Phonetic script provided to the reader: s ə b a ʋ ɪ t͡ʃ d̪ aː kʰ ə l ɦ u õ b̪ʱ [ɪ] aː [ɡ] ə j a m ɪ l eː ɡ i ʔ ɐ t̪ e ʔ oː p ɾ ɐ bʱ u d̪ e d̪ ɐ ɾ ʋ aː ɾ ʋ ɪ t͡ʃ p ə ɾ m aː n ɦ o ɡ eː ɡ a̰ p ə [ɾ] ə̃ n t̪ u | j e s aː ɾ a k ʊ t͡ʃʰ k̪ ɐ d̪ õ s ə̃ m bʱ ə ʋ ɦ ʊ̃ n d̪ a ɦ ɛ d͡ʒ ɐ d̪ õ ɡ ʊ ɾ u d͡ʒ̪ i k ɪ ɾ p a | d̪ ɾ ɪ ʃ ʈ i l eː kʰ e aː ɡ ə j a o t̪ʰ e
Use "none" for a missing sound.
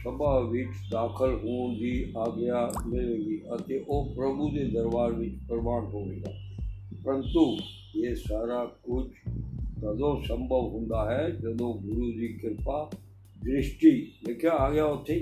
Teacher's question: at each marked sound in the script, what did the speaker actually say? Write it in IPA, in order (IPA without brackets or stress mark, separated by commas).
i, ɡ, ɾ